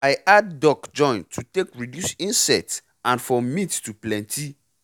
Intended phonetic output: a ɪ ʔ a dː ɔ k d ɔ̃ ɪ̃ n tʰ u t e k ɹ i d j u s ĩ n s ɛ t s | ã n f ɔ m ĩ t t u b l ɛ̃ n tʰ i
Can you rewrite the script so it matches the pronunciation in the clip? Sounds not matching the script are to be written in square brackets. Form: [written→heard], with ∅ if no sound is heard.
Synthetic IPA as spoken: a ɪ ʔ a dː ɔ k [d→d͡ʒ] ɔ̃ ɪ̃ n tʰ u t e k ɹ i d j u s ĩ n s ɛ t s | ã n f ɔ m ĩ t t u [b→p] l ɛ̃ n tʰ i

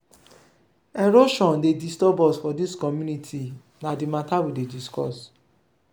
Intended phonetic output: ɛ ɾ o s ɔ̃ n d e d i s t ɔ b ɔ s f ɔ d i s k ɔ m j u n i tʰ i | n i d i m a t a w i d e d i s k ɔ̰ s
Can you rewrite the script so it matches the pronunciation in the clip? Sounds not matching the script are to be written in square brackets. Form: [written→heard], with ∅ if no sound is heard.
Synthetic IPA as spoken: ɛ ɾ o [s→ʃ] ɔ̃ n d e d i s t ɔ b ɔ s f ɔ d i s k ɔ m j u n i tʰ i | n [i→a] d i m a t a w i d e d i s k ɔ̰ s

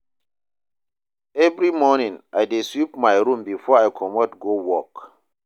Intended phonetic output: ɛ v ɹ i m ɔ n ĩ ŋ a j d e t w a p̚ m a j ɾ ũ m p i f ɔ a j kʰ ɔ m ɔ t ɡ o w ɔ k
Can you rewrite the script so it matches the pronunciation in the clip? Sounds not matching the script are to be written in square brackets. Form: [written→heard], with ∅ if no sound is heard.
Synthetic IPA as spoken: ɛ v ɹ i m ɔ n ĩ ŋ a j d e [t→s] w [a→i] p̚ m a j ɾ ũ m [p→b] i f ɔ a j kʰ ɔ m ɔ t ɡ o w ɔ k

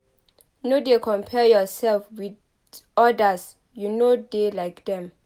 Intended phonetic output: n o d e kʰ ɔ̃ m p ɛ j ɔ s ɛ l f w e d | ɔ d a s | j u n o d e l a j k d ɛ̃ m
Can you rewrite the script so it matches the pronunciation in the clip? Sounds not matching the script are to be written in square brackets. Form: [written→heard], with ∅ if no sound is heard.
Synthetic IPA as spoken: n o d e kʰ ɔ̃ m [p→pʰ] ɛ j ɔ s ɛ l f w [e→i] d | ɔ d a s | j u n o d e l a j k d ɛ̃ m

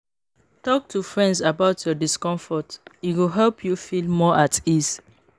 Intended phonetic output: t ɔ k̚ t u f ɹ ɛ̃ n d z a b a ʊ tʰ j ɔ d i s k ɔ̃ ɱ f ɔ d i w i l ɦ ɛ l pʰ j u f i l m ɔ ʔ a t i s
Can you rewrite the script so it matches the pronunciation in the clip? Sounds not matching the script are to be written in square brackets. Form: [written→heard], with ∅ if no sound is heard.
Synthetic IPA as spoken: t ɔ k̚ t u f ɹ ɛ̃ n d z a b a ʊ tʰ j ɔ d i s k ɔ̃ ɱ f ɔ [d→t] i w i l ɦ ɛ l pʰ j u f i l m ɔ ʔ a t i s

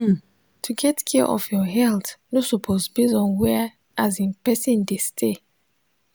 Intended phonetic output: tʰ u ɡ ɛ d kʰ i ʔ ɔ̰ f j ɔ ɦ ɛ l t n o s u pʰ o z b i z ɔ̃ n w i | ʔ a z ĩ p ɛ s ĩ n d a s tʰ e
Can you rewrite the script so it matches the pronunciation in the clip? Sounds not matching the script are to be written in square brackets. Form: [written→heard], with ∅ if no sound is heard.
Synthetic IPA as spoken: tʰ u ɡ ɛ [d→t] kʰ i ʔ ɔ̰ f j ɔ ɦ ɛ l t n o s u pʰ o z b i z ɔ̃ n w [i→ɛ] | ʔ a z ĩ p ɛ s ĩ n d [a→e] s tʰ e

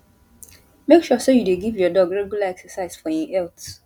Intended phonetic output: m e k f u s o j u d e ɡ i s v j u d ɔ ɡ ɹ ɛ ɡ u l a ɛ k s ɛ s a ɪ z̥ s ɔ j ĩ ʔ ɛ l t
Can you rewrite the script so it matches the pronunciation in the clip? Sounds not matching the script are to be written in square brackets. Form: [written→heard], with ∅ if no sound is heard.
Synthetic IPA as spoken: m e k [f→ʃ] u s o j u d e ɡ i [s→∅] v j [u→ɔ] d ɔ ɡ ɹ ɛ ɡ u l a ɛ k s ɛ s a ɪ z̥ [s→f] ɔ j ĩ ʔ ɛ l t

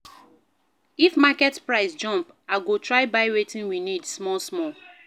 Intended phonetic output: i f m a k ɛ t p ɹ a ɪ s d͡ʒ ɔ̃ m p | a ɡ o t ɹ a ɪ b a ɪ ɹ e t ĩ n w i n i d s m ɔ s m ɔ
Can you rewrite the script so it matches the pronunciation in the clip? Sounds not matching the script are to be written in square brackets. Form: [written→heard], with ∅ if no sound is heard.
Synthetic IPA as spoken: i f m a k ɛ t p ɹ a ɪ s d͡ʒ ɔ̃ m p | a ɡ o t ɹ a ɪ b a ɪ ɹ e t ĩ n w i n i d s m ɔ s m ɔ

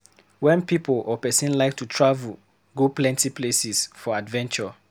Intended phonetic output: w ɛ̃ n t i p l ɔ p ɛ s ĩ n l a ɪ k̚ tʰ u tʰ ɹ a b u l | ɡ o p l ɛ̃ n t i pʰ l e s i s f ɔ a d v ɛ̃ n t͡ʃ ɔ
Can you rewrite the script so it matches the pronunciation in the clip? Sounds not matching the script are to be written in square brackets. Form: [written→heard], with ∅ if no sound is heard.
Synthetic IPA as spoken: w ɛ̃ n [t→p] i p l ɔ p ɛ s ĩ n l a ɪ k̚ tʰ u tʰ ɹ a [b→v] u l | ɡ o p l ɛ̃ n t i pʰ l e s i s f ɔ a d v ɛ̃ n t͡ʃ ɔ

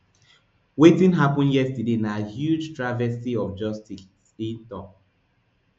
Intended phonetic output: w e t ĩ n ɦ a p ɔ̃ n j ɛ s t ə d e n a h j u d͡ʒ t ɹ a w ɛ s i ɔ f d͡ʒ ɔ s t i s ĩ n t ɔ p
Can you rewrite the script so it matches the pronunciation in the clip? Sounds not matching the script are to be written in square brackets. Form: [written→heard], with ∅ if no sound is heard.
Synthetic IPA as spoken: w e t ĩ n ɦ a p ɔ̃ n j ɛ s t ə d e n a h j u d͡ʒ t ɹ a [w→v] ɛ s i ɔ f d͡ʒ ɔ s t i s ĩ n t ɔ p

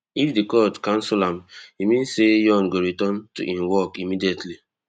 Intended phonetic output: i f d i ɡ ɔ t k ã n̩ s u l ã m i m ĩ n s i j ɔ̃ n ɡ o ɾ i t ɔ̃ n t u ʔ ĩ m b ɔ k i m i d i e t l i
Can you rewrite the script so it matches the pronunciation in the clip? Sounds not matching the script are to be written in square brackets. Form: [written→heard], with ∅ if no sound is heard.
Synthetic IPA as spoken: i f d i [ɡ→k] ɔ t k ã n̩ s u l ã m i m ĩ n s [i→e] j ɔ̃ n ɡ o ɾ i t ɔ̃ n t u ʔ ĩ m [b→w] ɔ k i m i d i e t l i

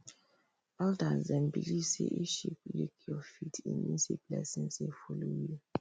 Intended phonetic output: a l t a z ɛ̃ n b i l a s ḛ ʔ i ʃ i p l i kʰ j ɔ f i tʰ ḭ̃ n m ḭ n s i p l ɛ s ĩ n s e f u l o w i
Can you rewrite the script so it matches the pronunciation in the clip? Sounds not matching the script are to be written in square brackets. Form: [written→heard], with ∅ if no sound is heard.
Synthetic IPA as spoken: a l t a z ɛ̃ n b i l [a→i] s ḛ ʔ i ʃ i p l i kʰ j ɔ f i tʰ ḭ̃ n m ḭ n s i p l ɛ s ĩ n s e f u l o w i

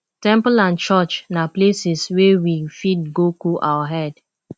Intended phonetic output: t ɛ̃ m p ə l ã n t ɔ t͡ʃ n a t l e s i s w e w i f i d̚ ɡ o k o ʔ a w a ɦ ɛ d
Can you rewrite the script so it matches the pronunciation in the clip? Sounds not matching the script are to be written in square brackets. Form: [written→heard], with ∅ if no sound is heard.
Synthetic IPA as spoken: t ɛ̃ m p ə l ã n [t→t͡ʃ] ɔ t͡ʃ n a [t→p] l e s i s w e w i f i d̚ ɡ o k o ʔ a w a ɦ ɛ d

